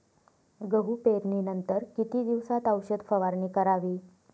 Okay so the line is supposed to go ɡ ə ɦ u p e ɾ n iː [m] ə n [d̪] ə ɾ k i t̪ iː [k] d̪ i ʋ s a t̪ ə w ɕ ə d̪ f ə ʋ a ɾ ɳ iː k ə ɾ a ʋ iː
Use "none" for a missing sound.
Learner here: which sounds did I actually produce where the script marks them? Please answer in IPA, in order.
n, t̪, none

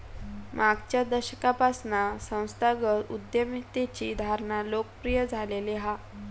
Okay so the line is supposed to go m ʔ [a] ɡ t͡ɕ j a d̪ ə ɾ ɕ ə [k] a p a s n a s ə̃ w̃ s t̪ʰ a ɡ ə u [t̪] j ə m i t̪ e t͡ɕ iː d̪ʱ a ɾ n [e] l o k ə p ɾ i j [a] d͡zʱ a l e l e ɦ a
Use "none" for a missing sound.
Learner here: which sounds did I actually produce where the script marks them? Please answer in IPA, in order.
a, k, d̪, a, ə

